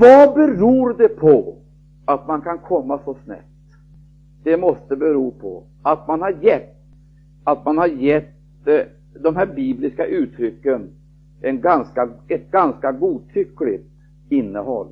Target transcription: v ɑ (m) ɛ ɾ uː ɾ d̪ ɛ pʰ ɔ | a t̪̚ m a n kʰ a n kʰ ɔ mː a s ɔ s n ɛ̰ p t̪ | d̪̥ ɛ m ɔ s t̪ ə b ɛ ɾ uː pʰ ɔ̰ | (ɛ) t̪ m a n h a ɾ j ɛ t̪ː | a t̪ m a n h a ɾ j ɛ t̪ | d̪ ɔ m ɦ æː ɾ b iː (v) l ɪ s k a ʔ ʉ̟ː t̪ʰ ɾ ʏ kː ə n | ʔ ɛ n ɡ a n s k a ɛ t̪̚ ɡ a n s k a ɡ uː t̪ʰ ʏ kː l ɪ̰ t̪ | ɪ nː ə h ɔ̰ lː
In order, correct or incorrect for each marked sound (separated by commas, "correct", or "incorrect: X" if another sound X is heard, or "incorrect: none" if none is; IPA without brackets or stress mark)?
incorrect: b, incorrect: a, incorrect: b